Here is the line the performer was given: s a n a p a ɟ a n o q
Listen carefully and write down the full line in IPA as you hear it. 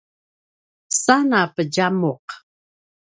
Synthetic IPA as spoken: s a n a p ə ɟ a m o q